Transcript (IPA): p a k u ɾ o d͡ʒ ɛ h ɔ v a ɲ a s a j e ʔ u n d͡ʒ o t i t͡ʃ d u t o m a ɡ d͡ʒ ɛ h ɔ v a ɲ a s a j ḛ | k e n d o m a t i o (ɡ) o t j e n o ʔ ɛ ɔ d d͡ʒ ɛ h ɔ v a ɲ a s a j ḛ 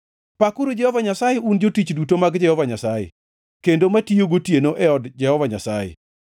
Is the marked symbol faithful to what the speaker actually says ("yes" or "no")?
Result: yes